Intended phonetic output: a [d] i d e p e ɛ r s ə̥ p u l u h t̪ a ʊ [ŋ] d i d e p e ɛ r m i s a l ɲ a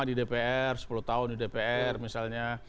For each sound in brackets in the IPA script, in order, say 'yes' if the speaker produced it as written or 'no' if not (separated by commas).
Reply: yes, no